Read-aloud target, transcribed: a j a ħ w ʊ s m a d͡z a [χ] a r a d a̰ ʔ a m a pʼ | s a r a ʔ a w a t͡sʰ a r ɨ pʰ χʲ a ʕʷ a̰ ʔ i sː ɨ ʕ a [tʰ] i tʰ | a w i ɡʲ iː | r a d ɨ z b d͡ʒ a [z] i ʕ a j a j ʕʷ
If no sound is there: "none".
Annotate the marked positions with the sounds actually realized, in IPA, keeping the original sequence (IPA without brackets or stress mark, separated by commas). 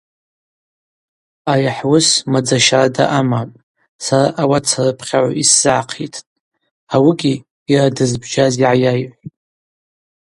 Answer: ʃ, qʰ, z